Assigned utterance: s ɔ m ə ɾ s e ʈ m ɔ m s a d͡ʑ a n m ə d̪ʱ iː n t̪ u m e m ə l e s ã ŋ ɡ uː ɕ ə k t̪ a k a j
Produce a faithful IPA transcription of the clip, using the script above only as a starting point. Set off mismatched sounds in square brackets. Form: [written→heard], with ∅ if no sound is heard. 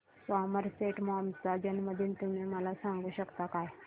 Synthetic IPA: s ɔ m ə ɾ s e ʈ m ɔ m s a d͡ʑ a n m ə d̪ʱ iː n t̪ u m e m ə l [e→a] s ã ŋ ɡ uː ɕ ə k t̪ a k a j